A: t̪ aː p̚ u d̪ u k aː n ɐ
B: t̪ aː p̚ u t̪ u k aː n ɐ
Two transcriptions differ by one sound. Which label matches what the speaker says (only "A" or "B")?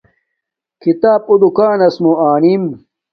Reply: A